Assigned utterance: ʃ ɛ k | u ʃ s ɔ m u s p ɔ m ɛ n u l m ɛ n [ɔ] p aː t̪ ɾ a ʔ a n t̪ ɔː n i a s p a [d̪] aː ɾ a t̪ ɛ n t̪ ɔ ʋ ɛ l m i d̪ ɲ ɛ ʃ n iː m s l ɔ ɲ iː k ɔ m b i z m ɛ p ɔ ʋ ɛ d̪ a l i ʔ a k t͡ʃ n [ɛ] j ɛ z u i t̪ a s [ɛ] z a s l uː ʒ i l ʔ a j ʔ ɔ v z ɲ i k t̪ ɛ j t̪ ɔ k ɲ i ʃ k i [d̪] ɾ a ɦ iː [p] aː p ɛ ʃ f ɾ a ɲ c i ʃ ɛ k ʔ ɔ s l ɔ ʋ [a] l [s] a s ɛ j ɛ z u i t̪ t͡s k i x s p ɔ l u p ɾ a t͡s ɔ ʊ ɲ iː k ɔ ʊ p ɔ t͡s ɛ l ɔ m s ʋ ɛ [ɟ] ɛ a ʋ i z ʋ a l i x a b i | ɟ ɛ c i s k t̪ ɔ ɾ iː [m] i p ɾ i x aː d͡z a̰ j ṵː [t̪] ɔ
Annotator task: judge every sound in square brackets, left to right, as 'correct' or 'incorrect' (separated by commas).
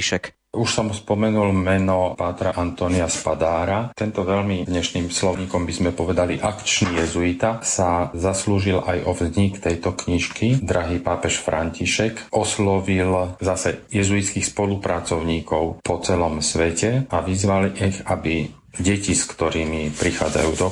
correct, correct, incorrect, incorrect, correct, correct, incorrect, incorrect, incorrect, correct, incorrect